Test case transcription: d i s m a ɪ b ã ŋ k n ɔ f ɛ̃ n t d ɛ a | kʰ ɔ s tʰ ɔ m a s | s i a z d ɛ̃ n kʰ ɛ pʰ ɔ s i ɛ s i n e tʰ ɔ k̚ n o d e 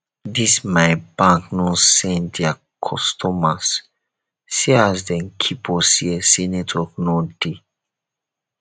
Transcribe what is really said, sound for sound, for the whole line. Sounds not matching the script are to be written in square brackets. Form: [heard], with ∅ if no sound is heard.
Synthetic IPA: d i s m a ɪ b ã ŋ k n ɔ [s] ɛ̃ n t d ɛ a | kʰ ɔ s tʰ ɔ m a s | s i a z d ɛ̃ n kʰ [i] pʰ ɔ s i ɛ s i n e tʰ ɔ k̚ n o d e